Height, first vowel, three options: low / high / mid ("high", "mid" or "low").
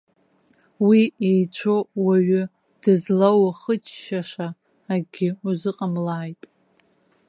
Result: high